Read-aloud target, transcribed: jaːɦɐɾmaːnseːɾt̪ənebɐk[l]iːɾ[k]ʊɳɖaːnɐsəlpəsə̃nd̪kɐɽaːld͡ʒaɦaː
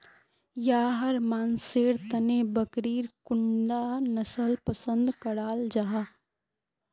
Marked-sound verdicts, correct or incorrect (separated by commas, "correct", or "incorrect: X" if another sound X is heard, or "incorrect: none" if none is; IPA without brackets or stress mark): incorrect: ɾ, correct